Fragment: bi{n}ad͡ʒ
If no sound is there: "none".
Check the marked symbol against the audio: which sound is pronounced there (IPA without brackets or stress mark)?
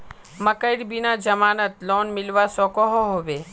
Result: n